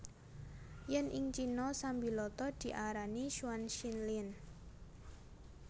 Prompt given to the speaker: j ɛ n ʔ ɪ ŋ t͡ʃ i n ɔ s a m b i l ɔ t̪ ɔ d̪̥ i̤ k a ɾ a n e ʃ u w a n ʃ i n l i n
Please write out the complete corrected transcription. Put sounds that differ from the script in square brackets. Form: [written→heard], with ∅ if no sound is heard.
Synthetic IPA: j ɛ n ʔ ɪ ŋ t͡ʃ i n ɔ s a m b i l ɔ t̪ ɔ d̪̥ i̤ [k→ʔ] a ɾ a n [e→i] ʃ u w a n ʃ i n l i n